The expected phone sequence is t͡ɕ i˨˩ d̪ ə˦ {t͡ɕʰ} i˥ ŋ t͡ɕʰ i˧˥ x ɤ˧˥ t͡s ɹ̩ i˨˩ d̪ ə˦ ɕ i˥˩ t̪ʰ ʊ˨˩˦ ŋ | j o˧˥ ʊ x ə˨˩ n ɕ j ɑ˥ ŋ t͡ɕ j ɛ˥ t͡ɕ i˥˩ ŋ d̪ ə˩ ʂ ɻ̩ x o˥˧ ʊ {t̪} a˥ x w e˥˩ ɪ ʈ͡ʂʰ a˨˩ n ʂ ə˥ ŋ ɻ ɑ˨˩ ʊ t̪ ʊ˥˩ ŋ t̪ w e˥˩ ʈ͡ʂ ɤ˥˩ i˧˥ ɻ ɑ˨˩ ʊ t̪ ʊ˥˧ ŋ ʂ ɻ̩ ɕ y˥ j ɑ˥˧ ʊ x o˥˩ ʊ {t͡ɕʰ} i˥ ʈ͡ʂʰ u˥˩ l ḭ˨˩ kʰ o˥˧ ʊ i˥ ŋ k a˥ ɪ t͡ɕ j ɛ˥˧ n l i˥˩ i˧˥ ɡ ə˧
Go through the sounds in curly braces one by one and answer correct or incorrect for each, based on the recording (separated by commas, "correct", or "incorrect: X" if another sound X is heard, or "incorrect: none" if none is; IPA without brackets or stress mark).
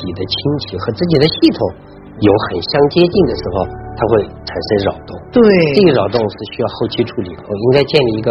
correct, incorrect: t̪ʰ, correct